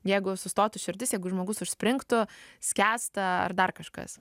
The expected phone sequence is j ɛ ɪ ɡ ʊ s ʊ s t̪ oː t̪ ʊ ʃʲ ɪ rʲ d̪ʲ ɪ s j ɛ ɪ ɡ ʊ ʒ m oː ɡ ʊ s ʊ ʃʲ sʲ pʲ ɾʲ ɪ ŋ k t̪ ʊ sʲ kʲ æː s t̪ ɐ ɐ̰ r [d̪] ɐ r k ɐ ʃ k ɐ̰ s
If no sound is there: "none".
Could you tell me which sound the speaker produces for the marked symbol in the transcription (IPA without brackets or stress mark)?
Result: d̪